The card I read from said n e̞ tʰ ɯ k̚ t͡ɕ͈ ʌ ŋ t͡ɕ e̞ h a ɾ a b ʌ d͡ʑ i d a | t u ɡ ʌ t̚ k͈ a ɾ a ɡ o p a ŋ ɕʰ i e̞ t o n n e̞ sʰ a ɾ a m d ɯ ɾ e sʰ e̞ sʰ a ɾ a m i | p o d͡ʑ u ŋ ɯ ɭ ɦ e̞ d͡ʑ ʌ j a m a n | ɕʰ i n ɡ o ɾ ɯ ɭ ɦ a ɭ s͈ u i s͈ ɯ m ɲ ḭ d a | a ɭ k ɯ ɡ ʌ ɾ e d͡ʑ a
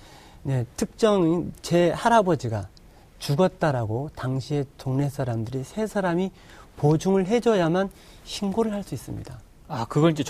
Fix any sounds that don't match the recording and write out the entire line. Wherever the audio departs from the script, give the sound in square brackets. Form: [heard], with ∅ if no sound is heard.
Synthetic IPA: n e̞ tʰ ɯ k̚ t͡ɕ͈ ʌ ŋ t͡ɕ e̞ h a ɾ a b ʌ d͡ʑ i [ɡ] a | [t͡ɕ] u ɡ ʌ t̚ [t͈] a ɾ a ɡ o [t] a ŋ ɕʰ i e̞ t o [ŋ] n e̞ sʰ a ɾ a m d ɯ ɾ [i] sʰ e̞ sʰ a ɾ a m i | p o d͡ʑ u ŋ ɯ ɭ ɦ e̞ d͡ʑ ʌ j a m a n | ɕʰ i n ɡ o ɾ ɯ ɭ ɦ a ɭ s͈ u i s͈ ɯ m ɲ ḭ d a | a [∅] k ɯ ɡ ʌ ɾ [i] d͡ʑ [e]